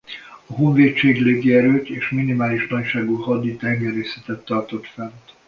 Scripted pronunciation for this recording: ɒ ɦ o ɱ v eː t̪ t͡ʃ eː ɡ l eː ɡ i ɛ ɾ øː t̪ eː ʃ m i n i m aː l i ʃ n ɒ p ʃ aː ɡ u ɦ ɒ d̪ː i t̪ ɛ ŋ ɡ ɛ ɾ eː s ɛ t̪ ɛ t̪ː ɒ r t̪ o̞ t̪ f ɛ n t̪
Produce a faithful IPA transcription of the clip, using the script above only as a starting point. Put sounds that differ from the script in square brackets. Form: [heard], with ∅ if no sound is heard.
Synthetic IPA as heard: ɒ ɦ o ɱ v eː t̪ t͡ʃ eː ɡ l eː ɡ i ɛ ɾ øː t̪ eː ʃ m i n i m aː l i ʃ n ɒ [c] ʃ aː ɡ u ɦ ɒ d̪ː i t̪ ɛ ŋ ɡ ɛ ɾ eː s ɛ t̪ ɛ t̪ː ɒ r t̪ o̞ t̪ f ɛ n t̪